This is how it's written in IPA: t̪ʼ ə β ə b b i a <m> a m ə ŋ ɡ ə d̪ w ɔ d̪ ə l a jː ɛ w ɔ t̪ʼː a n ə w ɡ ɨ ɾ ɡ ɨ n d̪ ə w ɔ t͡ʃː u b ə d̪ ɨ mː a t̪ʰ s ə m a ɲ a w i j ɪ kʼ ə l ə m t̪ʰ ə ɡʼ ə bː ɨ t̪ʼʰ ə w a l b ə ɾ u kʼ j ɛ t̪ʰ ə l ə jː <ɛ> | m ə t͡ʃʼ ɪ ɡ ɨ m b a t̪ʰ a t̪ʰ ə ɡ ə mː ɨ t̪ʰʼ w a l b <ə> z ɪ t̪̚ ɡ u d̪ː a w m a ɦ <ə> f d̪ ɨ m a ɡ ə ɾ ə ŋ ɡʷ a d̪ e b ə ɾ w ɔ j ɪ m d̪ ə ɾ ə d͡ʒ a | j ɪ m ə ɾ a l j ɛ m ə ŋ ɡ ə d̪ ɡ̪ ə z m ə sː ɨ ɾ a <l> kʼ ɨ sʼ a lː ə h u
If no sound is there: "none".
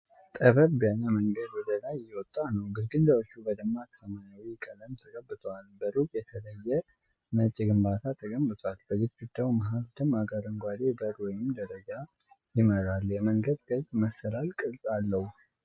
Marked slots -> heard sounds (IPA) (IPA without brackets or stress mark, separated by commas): n, ɛ, ə, a, l